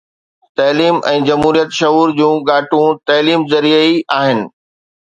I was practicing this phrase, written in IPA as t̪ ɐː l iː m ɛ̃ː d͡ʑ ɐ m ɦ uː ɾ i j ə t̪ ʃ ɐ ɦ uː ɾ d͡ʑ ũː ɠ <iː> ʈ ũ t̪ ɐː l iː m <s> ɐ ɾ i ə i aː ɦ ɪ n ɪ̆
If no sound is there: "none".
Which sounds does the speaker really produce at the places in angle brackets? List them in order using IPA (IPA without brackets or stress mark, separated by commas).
aː, z